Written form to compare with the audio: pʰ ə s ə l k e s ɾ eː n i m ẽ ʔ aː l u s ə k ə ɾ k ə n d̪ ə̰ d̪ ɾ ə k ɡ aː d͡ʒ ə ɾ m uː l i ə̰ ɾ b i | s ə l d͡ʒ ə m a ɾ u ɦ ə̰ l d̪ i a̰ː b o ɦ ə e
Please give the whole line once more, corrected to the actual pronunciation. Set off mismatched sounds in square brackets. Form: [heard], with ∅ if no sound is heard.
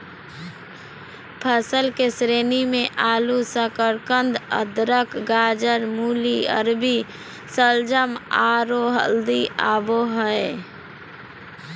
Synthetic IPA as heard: pʰ ə s ə l k e s ɾ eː n i m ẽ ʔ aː l u s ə k ə ɾ k ə n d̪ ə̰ d̪ ɾ ə k ɡ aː d͡ʒ ə ɾ m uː l i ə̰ ɾ b i | s ə l d͡ʒ ə m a ɾ [o] ɦ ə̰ l d̪ i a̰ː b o ɦ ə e